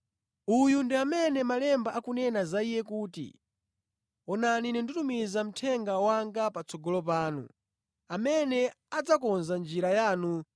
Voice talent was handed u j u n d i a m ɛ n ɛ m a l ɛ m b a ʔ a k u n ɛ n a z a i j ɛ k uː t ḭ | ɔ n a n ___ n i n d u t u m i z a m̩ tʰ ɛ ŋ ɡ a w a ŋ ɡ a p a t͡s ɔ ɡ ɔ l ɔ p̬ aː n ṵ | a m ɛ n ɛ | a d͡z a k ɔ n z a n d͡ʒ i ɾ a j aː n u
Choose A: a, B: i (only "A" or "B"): B